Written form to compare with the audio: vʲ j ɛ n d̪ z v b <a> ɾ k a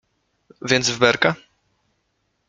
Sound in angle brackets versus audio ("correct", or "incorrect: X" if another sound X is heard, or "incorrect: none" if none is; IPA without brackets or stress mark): incorrect: ɛ